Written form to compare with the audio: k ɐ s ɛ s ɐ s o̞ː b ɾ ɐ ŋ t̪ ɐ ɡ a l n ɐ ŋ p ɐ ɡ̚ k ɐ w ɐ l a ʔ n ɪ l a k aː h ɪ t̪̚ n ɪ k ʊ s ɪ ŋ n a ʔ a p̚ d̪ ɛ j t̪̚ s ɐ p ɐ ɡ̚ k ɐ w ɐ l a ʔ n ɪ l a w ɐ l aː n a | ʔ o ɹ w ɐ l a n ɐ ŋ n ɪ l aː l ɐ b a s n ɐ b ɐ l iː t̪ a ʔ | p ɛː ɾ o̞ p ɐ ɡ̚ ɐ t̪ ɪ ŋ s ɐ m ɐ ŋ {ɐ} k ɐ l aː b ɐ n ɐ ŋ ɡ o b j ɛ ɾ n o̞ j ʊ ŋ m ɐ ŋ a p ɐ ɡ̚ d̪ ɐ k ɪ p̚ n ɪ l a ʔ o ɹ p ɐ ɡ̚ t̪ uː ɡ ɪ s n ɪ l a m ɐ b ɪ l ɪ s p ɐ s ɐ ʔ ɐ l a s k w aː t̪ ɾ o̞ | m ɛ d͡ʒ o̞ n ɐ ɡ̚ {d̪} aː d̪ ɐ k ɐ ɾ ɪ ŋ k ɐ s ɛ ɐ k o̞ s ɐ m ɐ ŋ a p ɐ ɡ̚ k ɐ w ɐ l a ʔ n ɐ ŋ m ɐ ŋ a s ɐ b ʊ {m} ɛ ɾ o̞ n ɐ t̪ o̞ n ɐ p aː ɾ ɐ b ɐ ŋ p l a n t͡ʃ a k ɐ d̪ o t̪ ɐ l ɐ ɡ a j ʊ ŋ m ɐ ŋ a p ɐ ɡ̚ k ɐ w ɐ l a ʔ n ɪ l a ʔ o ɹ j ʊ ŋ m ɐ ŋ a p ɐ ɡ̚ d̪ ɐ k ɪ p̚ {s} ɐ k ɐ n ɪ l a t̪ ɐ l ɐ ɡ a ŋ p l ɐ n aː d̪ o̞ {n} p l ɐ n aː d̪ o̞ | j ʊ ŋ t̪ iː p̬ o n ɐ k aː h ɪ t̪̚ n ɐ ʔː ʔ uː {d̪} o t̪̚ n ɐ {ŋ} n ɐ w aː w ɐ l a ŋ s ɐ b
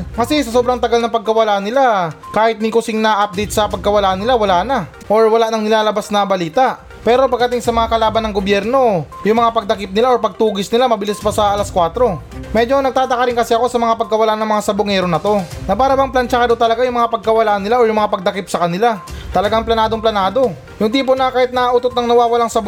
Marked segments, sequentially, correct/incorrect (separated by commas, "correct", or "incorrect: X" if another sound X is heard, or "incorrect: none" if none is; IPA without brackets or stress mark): incorrect: a, incorrect: t̪, incorrect: ŋ, correct, incorrect: ŋ, incorrect: t̪, correct